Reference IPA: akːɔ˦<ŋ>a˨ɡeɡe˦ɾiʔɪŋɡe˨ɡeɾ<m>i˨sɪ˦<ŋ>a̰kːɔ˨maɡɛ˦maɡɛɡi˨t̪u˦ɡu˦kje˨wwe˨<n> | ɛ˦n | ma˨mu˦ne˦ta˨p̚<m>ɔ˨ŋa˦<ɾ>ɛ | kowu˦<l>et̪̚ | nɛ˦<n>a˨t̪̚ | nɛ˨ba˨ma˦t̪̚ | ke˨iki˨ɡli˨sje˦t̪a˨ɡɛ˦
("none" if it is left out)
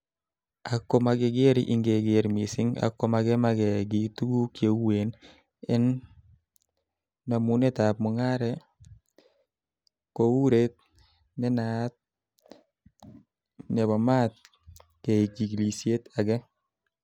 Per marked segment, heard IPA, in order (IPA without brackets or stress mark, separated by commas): m, m, ŋ, n, m, ɾ, ɾ, n